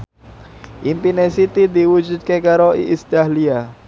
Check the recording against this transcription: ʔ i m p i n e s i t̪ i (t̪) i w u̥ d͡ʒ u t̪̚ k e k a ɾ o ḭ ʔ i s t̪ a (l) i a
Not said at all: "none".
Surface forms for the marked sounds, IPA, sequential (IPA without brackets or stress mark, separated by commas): d̪, l